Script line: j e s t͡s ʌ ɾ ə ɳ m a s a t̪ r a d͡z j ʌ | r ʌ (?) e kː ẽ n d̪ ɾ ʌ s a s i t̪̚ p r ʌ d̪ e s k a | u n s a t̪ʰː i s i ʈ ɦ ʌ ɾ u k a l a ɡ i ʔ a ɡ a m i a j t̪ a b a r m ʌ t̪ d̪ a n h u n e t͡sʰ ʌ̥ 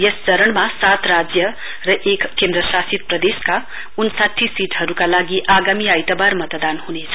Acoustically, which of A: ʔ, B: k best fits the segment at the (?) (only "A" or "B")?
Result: A